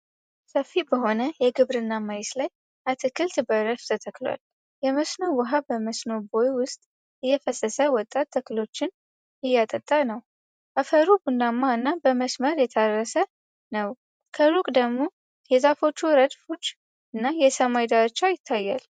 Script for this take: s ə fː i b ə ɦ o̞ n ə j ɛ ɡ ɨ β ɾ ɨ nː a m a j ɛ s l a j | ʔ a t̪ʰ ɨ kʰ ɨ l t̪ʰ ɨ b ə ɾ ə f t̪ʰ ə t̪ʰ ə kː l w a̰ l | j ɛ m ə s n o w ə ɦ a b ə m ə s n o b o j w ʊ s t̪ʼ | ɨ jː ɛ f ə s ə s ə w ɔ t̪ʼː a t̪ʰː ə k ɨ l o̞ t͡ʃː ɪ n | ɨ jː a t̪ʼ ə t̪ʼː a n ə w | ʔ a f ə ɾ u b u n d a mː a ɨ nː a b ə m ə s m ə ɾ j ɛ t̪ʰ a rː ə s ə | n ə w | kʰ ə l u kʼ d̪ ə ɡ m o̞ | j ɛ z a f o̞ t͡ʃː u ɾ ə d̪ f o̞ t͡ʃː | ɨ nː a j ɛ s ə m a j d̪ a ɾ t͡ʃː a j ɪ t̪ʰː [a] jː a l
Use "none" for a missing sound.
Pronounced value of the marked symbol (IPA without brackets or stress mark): a